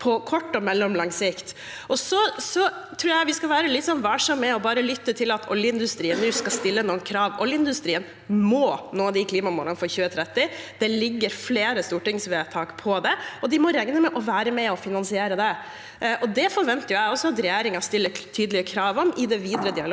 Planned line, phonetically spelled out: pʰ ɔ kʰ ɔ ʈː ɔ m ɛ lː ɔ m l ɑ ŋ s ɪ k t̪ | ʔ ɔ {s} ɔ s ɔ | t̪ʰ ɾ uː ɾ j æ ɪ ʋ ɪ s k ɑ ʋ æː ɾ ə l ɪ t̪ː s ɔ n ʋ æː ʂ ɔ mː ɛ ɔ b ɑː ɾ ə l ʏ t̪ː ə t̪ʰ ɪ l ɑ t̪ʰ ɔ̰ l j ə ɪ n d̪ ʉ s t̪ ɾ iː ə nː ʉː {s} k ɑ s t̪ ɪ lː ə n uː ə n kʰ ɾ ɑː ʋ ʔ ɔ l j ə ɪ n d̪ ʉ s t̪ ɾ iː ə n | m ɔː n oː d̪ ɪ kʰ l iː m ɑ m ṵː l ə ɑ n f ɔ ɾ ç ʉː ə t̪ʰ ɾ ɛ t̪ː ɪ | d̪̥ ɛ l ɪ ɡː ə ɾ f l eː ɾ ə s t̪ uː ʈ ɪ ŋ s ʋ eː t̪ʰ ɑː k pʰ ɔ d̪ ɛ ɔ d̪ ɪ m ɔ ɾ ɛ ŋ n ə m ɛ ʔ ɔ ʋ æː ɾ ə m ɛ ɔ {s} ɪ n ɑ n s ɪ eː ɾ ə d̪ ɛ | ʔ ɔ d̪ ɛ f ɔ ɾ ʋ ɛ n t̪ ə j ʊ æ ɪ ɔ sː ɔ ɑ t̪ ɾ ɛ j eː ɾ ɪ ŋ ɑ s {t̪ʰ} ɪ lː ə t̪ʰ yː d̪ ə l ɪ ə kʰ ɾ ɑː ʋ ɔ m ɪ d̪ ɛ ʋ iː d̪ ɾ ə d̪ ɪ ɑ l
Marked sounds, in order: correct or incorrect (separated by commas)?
correct, correct, incorrect, incorrect